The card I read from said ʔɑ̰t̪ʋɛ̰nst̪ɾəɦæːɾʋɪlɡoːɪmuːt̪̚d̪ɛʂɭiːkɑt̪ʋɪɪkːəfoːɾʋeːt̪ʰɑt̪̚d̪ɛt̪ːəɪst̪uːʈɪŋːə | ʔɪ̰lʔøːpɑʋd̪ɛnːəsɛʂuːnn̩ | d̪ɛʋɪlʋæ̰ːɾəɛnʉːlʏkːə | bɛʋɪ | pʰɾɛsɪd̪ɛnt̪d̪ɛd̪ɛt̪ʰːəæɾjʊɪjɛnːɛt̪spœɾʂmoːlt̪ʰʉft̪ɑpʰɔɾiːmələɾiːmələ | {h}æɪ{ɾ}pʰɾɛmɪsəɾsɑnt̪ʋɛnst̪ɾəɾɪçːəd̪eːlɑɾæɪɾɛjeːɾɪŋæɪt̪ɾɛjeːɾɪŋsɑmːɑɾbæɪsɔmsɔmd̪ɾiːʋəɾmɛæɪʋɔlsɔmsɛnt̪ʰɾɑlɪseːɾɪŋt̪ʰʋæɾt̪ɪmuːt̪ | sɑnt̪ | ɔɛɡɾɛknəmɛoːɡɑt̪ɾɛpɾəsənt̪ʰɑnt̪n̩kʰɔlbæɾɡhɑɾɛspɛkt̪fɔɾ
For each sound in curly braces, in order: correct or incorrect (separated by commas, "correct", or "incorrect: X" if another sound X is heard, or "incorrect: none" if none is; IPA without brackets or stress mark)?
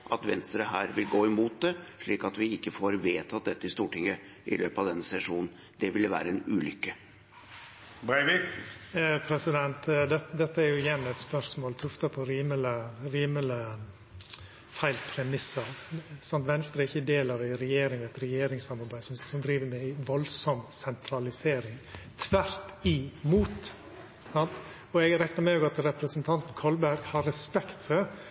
incorrect: f, incorrect: l